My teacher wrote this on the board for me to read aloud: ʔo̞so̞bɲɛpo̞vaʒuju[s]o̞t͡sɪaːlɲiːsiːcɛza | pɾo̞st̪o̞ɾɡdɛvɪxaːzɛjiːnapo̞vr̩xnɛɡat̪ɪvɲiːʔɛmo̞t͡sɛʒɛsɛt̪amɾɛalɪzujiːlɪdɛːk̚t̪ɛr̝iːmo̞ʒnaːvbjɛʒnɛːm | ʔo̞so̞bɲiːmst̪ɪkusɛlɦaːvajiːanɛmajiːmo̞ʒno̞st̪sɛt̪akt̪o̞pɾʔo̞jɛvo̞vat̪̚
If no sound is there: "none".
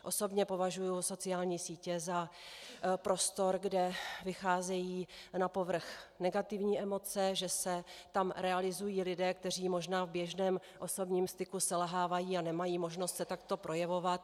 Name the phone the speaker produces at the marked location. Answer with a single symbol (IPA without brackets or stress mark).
s